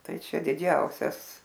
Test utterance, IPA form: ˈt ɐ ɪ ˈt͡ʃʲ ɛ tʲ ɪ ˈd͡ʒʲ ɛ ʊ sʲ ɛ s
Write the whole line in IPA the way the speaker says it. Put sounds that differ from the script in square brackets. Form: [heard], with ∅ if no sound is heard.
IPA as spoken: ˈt ɐ ɪ ˈt͡ʃʲ ɛ [dʲ] ɪ ˈd͡ʒʲ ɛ ʊ sʲ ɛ s

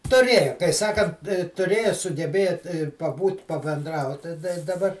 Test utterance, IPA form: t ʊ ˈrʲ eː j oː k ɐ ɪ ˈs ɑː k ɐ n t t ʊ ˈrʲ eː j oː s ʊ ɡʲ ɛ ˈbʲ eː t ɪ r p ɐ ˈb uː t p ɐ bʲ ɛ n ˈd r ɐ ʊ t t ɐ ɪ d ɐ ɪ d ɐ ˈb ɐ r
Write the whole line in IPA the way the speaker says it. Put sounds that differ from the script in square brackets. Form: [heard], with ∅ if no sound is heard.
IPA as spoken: t ʊ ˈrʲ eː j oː k ɐ ɪ ˈs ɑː k ɐ n t t ʊ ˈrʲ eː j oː s ʊ ɡʲ ɛ ˈbʲ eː t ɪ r p ɐ ˈb uː t p ɐ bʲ ɛ n ˈd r ɐ ʊ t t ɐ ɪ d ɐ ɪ d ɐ ˈb ɐ r

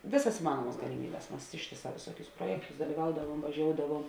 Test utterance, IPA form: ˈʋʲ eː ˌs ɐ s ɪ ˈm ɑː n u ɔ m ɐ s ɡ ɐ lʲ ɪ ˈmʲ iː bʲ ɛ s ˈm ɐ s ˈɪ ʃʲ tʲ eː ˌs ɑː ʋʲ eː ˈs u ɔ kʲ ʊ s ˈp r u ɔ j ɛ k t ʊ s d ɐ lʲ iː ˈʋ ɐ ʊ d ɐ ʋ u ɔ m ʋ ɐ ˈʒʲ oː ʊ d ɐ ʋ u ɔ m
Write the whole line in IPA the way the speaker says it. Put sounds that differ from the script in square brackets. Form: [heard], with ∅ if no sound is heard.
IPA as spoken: ˈʋʲ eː ˌs ɐ s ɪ ˈm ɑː n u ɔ m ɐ s ɡ ɐ lʲ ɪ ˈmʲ iː bʲ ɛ s ˈm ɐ s ˈɪ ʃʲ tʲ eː ˌs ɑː ʋʲ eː ˈs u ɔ kʲ ʊ s ˈp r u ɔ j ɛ k t ʊ s d ɐ lʲ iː ˈʋ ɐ ʊ d ɐ ʋ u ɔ m ʋ ɐ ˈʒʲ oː ʊ d ɐ ʋ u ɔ m

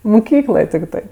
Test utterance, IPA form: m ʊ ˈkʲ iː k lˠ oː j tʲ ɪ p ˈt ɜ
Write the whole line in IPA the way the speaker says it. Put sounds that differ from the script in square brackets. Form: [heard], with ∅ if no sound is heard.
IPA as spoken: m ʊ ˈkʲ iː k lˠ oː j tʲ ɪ [k] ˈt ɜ

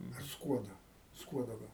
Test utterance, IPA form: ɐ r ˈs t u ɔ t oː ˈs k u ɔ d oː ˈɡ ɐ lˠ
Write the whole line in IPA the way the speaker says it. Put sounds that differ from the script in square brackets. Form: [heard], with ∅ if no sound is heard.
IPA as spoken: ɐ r ˈs [k] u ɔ [d] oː ˈs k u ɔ d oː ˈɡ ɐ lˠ

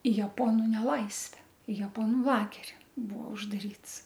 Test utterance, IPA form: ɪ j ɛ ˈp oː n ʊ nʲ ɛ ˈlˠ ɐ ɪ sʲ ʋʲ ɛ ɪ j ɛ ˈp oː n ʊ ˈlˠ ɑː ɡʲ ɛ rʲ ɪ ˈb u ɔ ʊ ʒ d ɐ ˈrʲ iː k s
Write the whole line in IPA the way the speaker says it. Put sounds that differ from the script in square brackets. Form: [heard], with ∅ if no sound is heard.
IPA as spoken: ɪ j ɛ ˈp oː n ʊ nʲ ɛ ˈlˠ ɐ ɪ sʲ ʋʲ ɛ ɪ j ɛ ˈp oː n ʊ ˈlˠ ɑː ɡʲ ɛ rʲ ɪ ˈb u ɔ ʊ ʒ d ɐ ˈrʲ iː [t] s

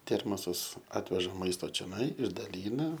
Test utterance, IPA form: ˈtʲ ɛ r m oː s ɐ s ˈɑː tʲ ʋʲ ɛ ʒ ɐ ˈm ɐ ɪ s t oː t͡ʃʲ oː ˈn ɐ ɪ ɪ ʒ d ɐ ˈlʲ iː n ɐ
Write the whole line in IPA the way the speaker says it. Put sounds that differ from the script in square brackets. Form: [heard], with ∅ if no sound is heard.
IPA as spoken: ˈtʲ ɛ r m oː s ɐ s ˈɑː tʲ ʋʲ ɛ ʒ ɐ ˈm ɐ ɪ s t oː t͡ʃʲ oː ˈn ɐ ɪ ɪ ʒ d ɐ ˈlʲ iː n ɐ

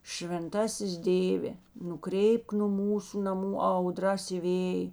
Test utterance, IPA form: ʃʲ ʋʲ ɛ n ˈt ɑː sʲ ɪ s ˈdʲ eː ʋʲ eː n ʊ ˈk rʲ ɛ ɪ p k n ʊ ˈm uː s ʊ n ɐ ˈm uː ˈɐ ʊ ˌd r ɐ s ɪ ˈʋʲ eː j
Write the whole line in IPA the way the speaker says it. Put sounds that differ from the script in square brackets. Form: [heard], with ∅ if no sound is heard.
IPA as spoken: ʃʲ ʋʲ ɛ n ˈt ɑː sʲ ɪ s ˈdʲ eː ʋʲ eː n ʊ ˈk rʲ ɛ ɪ p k n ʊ ˈm uː s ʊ n ɐ ˈm uː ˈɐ ʊ ˌd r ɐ s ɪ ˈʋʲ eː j

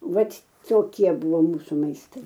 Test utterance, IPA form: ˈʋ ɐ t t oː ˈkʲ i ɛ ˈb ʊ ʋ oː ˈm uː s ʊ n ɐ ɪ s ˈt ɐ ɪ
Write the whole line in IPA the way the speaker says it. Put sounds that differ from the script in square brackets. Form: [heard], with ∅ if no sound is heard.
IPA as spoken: ˈʋ ɐ t t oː ˈkʲ i ɛ ˈb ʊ ʋ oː ˈm uː s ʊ [m] ɐ ɪ s ˈt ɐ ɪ

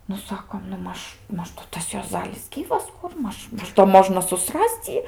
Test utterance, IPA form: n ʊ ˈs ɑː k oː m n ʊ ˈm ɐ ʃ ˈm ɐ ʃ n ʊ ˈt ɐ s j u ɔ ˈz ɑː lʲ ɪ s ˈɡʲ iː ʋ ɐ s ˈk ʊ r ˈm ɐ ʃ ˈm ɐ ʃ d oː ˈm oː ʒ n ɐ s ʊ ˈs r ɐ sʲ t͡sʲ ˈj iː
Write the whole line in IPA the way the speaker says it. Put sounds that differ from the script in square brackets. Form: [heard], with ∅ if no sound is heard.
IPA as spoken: n ʊ ˈs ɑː k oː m n ʊ ˈm ɐ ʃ ˈm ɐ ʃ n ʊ ˈt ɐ s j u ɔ ˈz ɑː lʲ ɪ s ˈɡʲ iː ʋ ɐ s ˈk ʊ r ˈm ɐ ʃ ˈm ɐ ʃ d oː ˈm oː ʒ n ɐ s ʊ ˈs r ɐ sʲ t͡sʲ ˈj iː

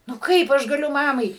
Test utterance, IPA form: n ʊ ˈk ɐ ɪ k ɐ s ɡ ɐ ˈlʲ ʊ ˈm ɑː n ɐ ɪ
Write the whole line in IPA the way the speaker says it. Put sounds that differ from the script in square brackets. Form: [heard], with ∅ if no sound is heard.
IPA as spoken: n ʊ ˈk ɐ ɪ [p] ɐ [ʃ] ɡ ɐ ˈlʲ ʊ ˈm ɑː [m] ɐ ɪ

